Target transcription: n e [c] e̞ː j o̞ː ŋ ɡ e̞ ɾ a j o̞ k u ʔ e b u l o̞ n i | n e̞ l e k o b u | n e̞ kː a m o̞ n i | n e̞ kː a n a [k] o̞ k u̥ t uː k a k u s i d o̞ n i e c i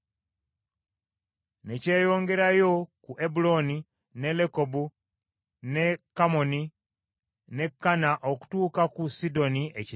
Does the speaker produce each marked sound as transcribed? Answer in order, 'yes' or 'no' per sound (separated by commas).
yes, no